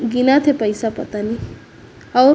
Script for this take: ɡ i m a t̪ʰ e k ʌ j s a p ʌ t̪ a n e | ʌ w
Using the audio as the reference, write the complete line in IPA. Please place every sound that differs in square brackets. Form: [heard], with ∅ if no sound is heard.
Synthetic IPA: ɡ i [n] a t̪ʰ e [p] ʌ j s a p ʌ t̪ a n [i] | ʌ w